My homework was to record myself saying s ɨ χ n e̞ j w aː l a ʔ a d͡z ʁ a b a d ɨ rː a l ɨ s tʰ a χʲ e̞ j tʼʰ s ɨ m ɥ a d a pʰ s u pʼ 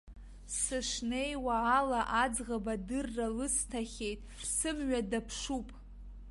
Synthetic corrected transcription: s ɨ ʂ n e̞ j w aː l a ʔ a d͡z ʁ a b a d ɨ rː a l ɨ s tʰ a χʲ e̞ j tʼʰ s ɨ m ɥ a d a pʰ ʂ u pʼ